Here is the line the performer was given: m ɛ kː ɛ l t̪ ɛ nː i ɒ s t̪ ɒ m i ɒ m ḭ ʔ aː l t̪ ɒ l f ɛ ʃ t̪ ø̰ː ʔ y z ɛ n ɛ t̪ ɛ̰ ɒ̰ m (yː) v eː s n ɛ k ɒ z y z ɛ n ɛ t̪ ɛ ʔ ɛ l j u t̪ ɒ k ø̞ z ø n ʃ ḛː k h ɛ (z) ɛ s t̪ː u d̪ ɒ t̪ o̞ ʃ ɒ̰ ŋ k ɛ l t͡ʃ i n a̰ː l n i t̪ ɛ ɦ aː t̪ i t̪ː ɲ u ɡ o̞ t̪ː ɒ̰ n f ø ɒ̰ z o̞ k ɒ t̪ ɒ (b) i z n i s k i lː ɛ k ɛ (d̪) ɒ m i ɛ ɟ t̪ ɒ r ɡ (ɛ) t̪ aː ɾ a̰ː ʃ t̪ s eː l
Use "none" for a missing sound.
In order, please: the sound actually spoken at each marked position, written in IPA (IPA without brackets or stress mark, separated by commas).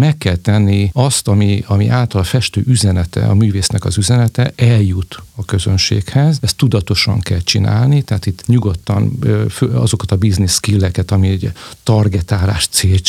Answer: yː, z, b, t̪, ɛ